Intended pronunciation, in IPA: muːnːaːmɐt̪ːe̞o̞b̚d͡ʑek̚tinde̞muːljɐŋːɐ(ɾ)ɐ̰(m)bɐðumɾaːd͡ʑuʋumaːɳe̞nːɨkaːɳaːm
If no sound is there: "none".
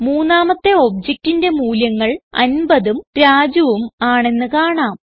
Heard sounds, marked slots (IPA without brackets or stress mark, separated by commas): ɭ, n